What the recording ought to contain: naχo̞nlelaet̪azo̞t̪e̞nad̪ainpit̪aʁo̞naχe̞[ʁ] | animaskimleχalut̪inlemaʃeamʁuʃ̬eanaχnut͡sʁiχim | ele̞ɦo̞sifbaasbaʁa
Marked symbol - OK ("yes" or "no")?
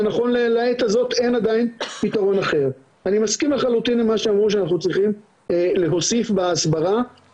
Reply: yes